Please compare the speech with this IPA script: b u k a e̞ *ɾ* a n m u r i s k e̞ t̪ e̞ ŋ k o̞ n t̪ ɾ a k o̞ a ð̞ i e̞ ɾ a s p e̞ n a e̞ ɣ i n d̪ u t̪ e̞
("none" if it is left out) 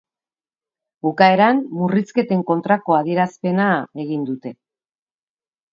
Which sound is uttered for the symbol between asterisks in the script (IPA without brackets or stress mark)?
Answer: ɾ